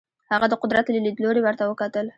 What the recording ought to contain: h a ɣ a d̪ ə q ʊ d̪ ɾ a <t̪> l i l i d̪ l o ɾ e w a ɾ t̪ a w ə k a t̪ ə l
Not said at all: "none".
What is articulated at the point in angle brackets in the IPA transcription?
t̪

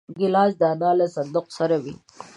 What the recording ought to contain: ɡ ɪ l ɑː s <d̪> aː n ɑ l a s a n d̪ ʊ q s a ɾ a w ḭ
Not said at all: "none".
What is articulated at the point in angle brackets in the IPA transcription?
d̪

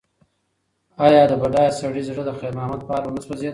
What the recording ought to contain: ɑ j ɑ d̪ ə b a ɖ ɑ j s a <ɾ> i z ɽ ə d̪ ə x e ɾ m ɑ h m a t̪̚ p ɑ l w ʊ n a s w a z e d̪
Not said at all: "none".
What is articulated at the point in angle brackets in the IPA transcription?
ɽ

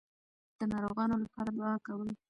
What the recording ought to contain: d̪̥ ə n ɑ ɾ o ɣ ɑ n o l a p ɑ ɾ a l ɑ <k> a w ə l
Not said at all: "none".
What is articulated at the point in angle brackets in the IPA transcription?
k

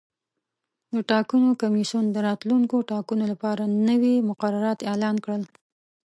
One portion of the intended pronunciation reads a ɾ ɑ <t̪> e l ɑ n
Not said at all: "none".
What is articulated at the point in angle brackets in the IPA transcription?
t̪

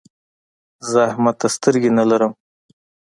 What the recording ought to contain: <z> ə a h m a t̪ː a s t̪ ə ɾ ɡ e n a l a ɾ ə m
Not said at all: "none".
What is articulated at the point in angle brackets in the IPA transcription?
z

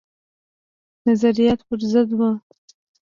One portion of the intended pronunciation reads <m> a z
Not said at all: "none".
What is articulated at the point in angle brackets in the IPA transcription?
n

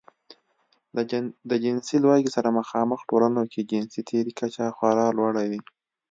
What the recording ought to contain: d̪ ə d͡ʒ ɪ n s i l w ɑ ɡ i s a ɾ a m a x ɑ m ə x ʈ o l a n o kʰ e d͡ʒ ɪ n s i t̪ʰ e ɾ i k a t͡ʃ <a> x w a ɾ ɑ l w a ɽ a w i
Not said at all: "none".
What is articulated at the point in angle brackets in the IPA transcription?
a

